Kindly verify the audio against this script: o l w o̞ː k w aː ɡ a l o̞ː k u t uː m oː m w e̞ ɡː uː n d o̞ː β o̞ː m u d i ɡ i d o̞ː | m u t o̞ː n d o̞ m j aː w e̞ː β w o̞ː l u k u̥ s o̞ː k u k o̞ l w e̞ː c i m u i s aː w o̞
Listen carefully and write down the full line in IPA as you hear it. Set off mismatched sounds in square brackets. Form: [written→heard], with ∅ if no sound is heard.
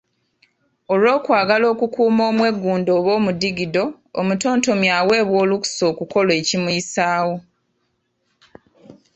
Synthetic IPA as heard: o l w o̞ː k w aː ɡ a l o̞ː k u [t→k] uː m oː m w e̞ ɡː uː n d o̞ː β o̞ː m u d i ɡ i d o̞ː | m u t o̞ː n [d→t] o̞ m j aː w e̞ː β w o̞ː l u k u̥ s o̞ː k u k o̞ l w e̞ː c i m u i s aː w o̞